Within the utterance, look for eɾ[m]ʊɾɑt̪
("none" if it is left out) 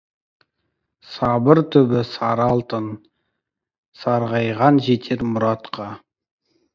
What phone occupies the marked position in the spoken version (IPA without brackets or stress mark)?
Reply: m